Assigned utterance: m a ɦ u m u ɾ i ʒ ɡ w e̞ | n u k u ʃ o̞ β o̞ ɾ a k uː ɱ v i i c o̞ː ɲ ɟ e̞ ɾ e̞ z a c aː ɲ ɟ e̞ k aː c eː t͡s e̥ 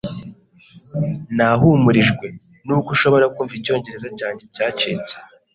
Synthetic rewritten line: n a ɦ u m u ɾ i ʒ ɡ w e̞ | n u k u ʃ o̞ β o̞ ɾ a k uː ɱ v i i c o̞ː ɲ ɟ e̞ ɾ e̞ z a c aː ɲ ɟ e̞ c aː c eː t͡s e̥